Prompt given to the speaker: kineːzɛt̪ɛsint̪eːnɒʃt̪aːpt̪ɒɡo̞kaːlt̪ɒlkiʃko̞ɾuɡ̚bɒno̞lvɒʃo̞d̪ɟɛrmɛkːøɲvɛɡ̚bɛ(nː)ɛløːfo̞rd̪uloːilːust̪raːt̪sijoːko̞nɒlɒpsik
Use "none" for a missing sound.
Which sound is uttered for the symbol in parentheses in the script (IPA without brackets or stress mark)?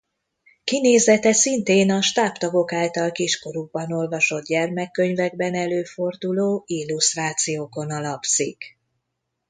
n